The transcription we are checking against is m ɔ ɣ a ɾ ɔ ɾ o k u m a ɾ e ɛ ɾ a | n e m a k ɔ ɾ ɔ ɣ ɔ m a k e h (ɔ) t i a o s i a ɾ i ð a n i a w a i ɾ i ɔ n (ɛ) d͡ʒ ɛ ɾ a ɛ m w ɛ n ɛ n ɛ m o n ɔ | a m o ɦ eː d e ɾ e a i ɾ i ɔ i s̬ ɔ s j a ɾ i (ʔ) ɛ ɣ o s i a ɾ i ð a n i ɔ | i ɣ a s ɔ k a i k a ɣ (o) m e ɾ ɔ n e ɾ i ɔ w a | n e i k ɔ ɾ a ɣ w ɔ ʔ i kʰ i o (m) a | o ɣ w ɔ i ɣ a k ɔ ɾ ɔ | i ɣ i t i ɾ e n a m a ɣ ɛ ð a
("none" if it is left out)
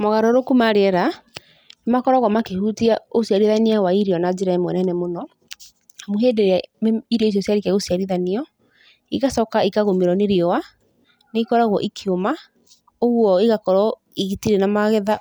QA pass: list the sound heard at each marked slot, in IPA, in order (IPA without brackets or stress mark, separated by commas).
u, a, k, o, m